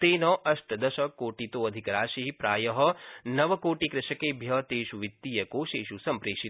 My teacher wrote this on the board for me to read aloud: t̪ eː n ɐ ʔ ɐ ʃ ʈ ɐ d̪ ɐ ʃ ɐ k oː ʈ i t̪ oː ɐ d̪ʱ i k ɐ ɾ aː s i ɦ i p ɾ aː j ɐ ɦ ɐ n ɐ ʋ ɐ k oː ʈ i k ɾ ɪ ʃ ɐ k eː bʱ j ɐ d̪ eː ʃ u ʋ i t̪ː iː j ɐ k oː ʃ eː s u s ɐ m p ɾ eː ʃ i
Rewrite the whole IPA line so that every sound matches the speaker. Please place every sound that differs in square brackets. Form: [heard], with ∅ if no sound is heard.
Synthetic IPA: t̪ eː n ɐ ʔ ɐ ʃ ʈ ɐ d̪ ɐ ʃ ɐ k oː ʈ i t̪ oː ɐ d̪ʱ i k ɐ ɾ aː [ʃ] i ɦ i p ɾ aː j ɐ ɦ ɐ n ɐ ʋ ɐ k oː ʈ i k ɾ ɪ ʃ ɐ k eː bʱ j ɐ [t̪] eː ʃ u ʋ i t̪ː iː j ɐ k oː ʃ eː [ʃ] u s ɐ m p ɾ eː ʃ i

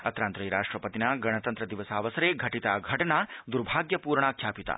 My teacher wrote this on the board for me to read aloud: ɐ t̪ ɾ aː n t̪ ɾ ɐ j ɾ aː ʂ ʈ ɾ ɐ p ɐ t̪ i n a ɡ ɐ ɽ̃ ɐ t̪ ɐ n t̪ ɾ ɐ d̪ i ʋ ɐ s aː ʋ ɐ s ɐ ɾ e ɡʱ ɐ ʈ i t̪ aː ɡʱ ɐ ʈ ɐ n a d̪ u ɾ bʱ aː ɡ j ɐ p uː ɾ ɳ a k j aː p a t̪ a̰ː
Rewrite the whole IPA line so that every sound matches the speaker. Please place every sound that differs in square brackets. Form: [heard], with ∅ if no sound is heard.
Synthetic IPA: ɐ t̪ ɾ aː n t̪ ɾ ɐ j ɾ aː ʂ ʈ ɾ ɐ p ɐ t̪ i n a ɡ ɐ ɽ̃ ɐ t̪ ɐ n t̪ ɾ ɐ d̪ i ʋ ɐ s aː ʋ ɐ s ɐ ɾ e ɡʱ ɐ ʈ i t̪ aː ɡʱ ɐ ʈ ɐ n a d̪ u ɾ bʱ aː ɡ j ɐ p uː ɾ ɳ a [kʰ] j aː p [i] t̪ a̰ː

